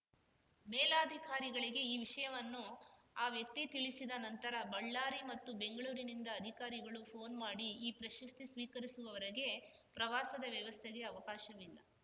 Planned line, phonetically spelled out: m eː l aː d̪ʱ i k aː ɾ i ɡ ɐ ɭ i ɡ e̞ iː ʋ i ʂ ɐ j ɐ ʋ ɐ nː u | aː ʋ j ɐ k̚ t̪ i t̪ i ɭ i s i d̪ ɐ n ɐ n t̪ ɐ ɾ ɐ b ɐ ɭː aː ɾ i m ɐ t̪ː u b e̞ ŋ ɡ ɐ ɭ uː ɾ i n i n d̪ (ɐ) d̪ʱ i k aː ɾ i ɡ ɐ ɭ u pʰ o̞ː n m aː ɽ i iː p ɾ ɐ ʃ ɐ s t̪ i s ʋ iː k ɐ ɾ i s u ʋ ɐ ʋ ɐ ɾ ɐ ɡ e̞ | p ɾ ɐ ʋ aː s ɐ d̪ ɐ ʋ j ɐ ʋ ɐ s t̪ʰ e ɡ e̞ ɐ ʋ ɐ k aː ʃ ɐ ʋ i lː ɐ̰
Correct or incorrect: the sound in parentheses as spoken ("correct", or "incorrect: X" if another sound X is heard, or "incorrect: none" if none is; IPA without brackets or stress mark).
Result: incorrect: ɐː